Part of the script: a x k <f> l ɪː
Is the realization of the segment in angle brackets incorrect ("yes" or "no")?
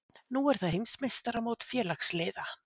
yes